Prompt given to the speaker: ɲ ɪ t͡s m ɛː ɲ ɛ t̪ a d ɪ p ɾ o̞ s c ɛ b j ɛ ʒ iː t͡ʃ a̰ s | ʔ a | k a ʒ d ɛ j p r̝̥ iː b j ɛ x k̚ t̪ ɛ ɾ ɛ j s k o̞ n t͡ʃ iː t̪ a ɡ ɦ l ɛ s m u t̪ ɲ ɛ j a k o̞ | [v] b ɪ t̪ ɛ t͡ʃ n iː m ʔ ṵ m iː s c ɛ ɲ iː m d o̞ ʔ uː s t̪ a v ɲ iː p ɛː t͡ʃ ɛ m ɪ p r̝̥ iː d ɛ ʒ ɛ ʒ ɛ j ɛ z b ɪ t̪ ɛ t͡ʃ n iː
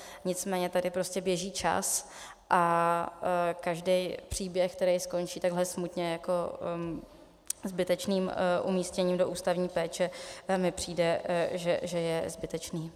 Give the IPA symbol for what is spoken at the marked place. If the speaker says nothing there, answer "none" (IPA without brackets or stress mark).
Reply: z